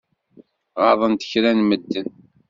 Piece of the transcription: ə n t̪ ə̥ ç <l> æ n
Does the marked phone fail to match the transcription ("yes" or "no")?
yes